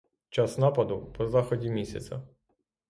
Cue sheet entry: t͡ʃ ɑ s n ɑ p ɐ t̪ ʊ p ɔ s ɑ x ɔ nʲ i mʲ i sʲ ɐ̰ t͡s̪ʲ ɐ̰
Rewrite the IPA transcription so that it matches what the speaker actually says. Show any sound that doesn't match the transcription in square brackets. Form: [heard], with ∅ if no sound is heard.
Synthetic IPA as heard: t͡ʃ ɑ s n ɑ p ɐ [d̪] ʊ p ɔ [z] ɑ x ɔ [dʲ] i mʲ i sʲ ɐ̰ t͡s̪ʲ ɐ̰